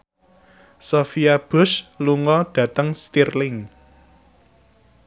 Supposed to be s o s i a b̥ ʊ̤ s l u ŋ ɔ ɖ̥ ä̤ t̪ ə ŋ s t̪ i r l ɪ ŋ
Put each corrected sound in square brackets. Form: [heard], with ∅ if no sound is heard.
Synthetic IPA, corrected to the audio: s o [f] i a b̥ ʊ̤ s l u ŋ ɔ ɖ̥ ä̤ t̪ ə ŋ s t̪ i r l ɪ ŋ